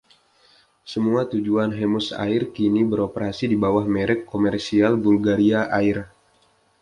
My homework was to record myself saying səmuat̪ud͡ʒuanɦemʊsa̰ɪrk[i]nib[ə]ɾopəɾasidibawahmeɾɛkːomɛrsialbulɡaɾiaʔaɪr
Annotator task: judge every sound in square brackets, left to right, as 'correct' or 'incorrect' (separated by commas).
correct, correct